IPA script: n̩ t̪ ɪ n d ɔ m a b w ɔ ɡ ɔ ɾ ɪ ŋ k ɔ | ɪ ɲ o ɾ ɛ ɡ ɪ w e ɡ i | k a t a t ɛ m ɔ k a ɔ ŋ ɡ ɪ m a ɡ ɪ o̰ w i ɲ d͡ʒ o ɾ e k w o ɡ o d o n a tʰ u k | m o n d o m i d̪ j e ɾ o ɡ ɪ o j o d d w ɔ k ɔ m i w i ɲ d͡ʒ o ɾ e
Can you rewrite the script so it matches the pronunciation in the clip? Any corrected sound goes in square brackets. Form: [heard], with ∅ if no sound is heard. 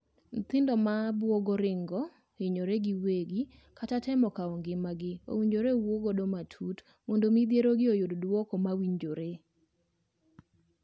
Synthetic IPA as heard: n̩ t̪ ɪ n d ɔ m a b w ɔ ɡ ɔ ɾ ɪ ŋ [ɡ] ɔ | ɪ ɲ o ɾ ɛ ɡ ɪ w e ɡ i | k a t a t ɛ m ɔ k a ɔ ŋ ɡ ɪ m a ɡ ɪ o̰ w i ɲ d͡ʒ o ɾ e [∅] w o ɡ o d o [m] a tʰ u [t] | m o n d o m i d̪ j e ɾ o ɡ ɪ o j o d d w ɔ k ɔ m [a] w i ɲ d͡ʒ o ɾ e